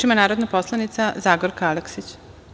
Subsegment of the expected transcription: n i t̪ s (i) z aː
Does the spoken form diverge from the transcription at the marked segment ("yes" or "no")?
yes